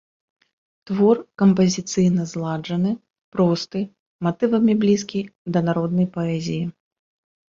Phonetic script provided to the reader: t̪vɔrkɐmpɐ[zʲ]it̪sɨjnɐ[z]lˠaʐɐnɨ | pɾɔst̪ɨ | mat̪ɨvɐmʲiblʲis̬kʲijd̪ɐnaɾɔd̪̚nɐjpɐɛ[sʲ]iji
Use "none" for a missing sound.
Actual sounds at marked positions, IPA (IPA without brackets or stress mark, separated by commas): zʲ, z, zʲ